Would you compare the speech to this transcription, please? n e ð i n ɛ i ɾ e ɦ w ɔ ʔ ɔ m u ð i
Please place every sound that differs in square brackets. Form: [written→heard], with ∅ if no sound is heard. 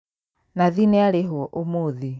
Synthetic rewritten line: n [e→a] ð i n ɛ [i→a] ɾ e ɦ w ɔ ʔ [ɔ→o] m [u→o] ð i